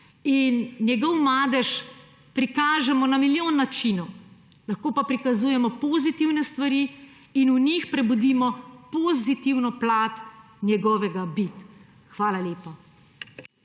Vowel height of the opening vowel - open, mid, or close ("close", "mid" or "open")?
close